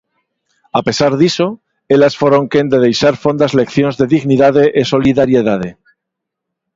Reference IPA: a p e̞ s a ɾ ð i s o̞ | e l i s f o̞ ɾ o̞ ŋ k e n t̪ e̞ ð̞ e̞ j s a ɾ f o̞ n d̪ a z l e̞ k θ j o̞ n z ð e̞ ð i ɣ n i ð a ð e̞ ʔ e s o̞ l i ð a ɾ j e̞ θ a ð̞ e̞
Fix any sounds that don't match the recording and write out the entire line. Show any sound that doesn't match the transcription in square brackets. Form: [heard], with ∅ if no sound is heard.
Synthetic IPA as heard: a p e̞ s a ɾ ð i s o̞ | e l [a] s f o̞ ɾ o̞ ŋ k e n [d̪] e̞ ð̞ e̞ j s a ɾ f o̞ n d̪ a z l e̞ k θ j o̞ n z ð e̞ ð i ɣ n i ð a ð e̞ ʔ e s o̞ l i ð a ɾ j e̞ [ð] a ð̞ e̞